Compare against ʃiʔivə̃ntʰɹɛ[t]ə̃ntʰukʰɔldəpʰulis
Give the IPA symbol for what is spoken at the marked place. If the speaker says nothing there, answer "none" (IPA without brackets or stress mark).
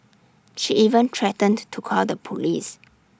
t